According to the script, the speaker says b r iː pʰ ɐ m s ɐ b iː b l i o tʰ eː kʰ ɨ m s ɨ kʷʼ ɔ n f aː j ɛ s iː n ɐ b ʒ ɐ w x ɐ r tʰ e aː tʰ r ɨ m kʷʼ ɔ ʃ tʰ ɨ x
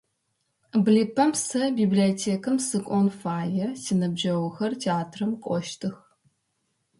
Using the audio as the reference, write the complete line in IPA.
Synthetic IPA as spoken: b l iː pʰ ɐ m s ɐ b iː b l i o tʰ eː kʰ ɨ m s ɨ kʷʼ ɔ n f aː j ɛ s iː n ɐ b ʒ ɐ w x ɐ r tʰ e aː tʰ r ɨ m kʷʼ ɔ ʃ tʰ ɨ x